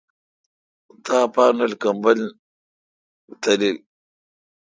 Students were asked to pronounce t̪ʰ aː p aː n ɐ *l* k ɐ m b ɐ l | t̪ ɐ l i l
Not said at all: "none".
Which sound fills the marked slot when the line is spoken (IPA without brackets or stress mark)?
l